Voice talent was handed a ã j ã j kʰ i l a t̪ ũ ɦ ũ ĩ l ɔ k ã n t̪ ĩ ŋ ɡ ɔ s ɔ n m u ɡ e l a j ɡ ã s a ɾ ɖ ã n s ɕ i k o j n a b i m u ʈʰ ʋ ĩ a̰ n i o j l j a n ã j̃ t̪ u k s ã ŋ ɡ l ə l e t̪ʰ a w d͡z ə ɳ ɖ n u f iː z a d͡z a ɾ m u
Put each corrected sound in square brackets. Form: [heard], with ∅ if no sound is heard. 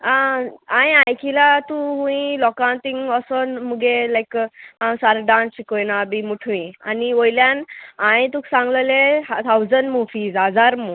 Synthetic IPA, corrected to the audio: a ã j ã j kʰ i l a t̪ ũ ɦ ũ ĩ l ɔ k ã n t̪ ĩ ŋ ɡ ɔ s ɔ n m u ɡ e l a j [k] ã s a ɾ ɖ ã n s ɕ i k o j n a b i m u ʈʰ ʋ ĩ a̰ n i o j l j a n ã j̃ t̪ u k s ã ŋ ɡ l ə l e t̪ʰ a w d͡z ə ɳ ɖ [m] u f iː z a d͡z a ɾ m u